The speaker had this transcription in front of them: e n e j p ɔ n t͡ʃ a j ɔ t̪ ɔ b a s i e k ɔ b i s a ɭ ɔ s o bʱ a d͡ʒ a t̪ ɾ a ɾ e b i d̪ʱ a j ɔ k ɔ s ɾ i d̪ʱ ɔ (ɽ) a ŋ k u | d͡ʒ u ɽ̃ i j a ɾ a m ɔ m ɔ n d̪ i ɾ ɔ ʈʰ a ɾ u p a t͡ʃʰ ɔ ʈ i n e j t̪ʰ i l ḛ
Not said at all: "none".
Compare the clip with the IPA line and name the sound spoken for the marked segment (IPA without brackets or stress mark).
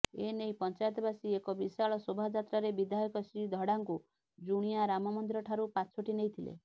ɽ